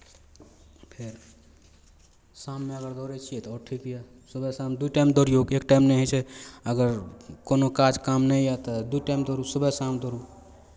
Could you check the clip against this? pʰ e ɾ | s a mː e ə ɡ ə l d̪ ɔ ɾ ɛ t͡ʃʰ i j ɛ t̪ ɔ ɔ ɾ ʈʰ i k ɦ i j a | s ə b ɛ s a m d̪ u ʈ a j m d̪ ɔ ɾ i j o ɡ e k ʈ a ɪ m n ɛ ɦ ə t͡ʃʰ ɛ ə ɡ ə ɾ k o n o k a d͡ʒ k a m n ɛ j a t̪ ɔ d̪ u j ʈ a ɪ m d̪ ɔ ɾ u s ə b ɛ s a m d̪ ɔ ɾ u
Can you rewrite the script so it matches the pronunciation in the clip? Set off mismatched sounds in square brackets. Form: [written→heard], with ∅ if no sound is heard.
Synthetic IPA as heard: pʰ e ɾ | s a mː e ə ɡ ə [l→ɾ] d̪ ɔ ɾ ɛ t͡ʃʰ i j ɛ t̪ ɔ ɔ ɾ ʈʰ i k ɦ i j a | s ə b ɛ s a m d̪ u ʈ a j m d̪ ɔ ɾ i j o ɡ e k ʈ a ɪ m n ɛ ɦ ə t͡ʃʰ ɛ ə ɡ ə ɾ k o n o k a d͡ʒ k a m n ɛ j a t̪ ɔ d̪ u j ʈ a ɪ m d̪ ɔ ɾ u s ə b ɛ s a m d̪ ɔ ɾ u